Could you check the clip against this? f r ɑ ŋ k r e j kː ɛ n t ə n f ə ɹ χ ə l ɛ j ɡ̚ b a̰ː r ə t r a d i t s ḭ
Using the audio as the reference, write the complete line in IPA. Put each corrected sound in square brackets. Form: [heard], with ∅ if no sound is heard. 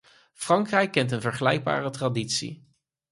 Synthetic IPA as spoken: f r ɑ ŋ k r [ɛ] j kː ɛ n t ə n [v] ə ɹ χ ə l ɛ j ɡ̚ b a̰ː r ə t r a d i t s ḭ